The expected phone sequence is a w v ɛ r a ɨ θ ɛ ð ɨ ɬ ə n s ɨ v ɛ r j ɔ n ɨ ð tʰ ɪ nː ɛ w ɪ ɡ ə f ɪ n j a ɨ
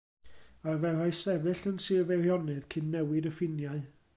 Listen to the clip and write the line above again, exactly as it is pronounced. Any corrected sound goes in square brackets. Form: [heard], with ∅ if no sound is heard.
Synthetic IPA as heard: a [∅] v ɛ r a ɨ [s] ɛ [v] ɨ ɬ ə n s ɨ v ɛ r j ɔ n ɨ ð [kʰ] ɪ nː ɛ w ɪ [d] ə f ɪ n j a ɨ

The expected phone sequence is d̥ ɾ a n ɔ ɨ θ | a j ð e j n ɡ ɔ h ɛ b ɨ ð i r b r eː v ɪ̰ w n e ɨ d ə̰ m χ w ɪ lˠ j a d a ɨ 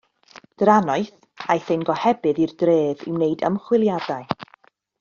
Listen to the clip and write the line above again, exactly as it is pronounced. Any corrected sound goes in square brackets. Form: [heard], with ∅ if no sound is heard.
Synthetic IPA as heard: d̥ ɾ a n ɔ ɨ θ | a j [θ] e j n ɡ ɔ h ɛ b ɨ ð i r [d] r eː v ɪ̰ w n e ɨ d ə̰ m χ w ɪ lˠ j a d a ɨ

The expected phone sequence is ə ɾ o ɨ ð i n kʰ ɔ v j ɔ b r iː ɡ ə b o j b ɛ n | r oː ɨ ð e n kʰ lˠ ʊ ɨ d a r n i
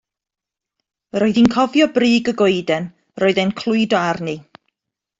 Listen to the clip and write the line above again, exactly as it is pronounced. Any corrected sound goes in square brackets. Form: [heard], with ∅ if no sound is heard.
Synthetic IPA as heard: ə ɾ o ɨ ð i n kʰ ɔ v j ɔ b r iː ɡ ə [ɡ] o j [d] ɛ n | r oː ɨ ð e n kʰ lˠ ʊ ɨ d a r n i

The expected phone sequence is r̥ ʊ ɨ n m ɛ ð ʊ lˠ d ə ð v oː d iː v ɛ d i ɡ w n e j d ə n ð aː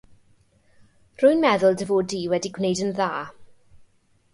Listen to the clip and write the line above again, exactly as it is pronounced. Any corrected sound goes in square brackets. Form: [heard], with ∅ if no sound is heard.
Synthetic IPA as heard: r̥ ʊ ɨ n m ɛ ð ʊ lˠ d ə [∅] v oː d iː [w] ɛ d i ɡ w n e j d ə n ð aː

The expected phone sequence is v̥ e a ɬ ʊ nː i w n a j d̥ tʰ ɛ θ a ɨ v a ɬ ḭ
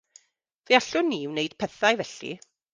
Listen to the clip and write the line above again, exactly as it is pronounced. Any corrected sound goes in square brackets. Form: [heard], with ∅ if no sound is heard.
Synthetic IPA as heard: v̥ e a ɬ ʊ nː i w n [e] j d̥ [pʰ] ɛ θ a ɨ v [ɛ] ɬ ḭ

